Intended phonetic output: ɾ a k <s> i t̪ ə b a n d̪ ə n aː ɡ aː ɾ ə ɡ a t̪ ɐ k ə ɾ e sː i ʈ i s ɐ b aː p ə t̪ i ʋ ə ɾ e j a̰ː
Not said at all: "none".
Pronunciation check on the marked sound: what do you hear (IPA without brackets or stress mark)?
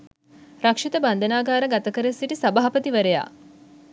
ʂ